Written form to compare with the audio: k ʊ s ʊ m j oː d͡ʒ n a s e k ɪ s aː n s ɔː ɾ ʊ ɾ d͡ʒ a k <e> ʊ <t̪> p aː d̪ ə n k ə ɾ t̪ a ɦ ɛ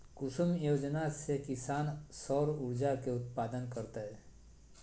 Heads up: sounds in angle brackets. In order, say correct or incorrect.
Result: correct, correct

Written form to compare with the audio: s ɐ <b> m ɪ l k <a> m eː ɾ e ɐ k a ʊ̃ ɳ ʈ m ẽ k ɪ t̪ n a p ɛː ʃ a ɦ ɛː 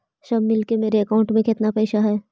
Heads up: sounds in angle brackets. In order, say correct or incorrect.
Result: correct, incorrect: e

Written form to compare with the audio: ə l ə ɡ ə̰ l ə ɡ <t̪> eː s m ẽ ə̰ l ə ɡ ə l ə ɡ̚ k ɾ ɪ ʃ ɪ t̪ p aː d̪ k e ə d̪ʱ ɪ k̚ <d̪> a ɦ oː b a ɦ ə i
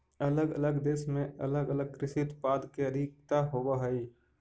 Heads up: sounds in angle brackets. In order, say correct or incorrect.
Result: incorrect: d̪, incorrect: t̪

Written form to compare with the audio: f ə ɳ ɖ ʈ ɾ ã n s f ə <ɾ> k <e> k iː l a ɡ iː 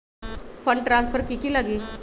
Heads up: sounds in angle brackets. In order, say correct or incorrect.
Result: correct, incorrect: i

